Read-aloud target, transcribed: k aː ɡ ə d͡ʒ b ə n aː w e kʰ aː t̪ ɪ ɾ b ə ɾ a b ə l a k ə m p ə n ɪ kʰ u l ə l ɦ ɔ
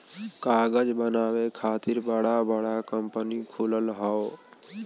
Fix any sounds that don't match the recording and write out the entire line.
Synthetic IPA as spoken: k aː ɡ ə d͡ʒ b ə n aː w e kʰ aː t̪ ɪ ɾ b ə ɽ a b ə ɽ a k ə m p ə n i kʰ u l ə l ɦ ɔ